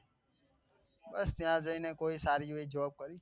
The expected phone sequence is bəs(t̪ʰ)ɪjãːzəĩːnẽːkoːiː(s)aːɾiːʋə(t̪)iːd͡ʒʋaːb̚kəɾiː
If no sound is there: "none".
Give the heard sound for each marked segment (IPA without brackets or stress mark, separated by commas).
t̪, s, none